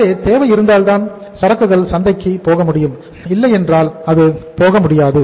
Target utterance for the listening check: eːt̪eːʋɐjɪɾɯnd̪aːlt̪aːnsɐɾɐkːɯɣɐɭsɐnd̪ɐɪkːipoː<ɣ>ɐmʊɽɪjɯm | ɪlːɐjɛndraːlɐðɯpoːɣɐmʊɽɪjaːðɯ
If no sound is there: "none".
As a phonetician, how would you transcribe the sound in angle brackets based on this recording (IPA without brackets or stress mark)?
ɣ